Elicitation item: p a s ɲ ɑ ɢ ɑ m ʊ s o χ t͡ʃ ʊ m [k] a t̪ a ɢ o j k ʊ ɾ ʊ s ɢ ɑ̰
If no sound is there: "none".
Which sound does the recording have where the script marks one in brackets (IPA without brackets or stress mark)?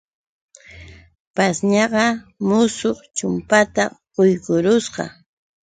p